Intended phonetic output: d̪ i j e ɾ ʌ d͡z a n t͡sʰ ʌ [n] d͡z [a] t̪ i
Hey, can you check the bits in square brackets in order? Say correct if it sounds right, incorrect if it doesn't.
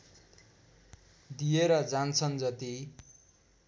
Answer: correct, incorrect: ʌ

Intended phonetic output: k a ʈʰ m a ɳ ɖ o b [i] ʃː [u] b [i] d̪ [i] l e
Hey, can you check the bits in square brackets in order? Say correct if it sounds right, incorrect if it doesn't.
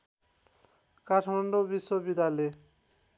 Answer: correct, incorrect: o, correct, incorrect: a

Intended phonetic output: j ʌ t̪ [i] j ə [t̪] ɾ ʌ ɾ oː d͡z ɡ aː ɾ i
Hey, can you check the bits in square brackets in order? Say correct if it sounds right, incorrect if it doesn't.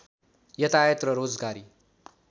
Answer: incorrect: a, correct

